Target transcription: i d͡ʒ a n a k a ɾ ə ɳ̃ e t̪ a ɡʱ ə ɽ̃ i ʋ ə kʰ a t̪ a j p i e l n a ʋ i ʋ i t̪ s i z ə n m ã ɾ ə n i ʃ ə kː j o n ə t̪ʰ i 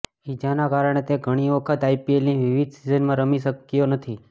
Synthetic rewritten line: i d͡ʒ a n a k a ɾ ə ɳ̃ e t̪ e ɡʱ ə ɽ̃ i ʋ ə kʰ ə t̪ a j p i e l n i ʋ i ʋ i d̪ s i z ə n m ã ɾ ə m i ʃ ə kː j o n ə t̪ʰ i